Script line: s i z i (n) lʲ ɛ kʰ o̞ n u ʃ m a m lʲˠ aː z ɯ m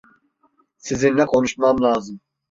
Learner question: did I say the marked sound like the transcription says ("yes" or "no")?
yes